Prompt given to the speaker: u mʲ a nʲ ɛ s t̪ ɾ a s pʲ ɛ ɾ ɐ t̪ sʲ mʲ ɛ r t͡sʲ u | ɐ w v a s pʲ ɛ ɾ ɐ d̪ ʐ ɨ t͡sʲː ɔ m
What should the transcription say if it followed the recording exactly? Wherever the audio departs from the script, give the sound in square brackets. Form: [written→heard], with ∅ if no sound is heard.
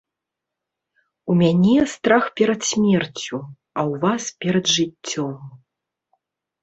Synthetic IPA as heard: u mʲ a nʲ ɛ s t̪ ɾ a [s→x] pʲ ɛ ɾ ɐ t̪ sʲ mʲ ɛ r t͡sʲ u | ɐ w v a s pʲ ɛ ɾ ɐ d̪ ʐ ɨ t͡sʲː ɔ m